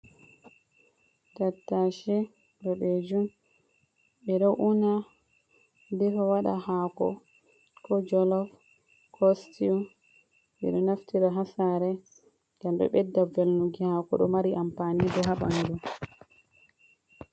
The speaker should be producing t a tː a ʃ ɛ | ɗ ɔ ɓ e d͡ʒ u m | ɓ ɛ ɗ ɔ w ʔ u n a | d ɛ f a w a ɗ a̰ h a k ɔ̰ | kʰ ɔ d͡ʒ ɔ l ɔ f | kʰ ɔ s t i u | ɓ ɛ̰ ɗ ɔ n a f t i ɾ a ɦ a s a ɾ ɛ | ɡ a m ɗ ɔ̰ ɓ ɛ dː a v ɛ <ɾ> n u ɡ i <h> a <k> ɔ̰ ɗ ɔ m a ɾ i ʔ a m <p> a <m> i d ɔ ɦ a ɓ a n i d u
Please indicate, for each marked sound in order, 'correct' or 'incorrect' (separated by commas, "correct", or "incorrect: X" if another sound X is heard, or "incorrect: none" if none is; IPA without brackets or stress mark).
incorrect: l, correct, correct, correct, incorrect: n